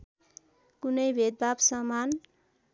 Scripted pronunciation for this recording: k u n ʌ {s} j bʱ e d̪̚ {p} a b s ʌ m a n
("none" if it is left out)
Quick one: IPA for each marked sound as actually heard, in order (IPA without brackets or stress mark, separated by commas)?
none, b